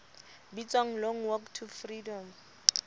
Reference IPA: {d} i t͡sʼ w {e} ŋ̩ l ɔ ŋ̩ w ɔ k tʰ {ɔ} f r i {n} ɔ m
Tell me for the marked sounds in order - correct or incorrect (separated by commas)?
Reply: incorrect, incorrect, incorrect, incorrect